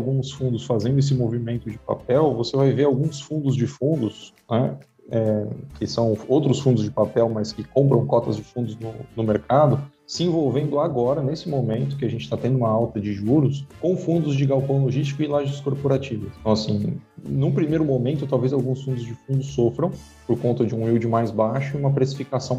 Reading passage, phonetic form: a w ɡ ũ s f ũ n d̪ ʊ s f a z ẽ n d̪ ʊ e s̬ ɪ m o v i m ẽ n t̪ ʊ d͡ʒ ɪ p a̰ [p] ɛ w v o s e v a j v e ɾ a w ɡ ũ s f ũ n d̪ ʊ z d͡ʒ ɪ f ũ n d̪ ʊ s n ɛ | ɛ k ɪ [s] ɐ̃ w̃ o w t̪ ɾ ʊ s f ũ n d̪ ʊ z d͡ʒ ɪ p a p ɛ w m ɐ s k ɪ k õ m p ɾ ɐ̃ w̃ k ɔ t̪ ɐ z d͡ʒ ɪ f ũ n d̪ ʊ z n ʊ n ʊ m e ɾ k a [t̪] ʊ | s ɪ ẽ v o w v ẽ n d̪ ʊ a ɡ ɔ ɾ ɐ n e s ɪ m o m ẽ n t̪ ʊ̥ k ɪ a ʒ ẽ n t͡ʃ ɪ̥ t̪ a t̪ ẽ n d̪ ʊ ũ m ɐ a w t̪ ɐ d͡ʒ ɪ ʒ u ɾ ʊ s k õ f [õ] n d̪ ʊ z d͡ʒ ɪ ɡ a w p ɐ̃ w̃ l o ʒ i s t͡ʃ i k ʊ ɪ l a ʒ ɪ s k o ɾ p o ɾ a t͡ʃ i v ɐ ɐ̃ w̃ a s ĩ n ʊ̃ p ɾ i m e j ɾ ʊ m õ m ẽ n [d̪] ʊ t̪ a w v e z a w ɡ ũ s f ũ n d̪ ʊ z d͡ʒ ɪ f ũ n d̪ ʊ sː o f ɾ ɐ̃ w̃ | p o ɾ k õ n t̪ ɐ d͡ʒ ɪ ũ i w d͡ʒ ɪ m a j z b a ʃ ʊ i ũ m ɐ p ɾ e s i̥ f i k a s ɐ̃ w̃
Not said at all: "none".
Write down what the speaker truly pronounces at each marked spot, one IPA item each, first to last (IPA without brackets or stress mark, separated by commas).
p, s, d̪, ũ, t̪